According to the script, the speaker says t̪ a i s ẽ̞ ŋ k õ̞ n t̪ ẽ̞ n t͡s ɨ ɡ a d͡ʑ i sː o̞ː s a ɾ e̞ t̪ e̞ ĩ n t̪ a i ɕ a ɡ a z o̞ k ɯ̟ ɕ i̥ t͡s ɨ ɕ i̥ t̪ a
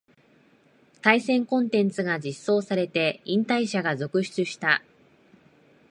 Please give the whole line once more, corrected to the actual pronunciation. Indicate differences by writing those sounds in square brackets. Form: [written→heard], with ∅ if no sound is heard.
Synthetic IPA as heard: t̪ a i s ẽ̞ ŋ k õ̞ n t̪ ẽ̞ n t͡s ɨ ɡ a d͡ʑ i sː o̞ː s a ɾ e̞ t̪ e̞ ĩ n t̪ a i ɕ a ɡ a z o̞ k ɯ̟ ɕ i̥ t͡s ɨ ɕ i̥ t̪ a